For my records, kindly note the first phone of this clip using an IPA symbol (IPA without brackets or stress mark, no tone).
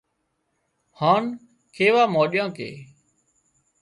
h